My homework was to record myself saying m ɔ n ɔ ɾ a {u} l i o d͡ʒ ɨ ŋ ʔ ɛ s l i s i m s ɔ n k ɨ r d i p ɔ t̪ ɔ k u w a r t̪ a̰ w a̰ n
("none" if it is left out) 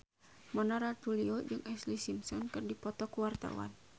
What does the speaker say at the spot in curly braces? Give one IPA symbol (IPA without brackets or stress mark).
u